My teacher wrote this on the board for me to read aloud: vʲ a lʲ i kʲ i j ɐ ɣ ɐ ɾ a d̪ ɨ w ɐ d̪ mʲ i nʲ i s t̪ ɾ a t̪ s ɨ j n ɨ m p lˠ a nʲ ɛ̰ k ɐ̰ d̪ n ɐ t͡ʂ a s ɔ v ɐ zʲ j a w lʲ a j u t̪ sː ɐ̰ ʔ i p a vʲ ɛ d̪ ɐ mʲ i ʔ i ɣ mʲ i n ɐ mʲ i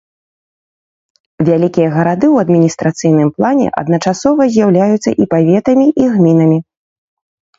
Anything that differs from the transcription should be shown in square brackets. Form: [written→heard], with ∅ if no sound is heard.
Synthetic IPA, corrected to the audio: vʲ a lʲ i kʲ i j ɐ ɣ ɐ ɾ a d̪ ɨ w ɐ d̪ mʲ i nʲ i s t̪ ɾ a t̪ s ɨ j n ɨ m p lˠ a nʲ ɛ̰ [k→ʔ] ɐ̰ d̪ n ɐ t͡ʂ a s ɔ v ɐ zʲ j a w lʲ a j u t̪ sː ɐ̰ ʔ i p a vʲ ɛ [d̪→t̪] ɐ mʲ i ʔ i ɣ mʲ i n ɐ mʲ i